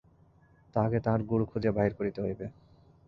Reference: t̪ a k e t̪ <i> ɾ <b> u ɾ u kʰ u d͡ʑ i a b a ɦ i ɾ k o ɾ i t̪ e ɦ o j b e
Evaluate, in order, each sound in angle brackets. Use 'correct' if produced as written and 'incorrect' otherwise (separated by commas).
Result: incorrect, incorrect